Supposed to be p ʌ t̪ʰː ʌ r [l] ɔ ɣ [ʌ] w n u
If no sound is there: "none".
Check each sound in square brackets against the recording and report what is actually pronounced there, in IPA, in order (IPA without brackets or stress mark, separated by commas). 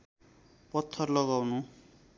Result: l, a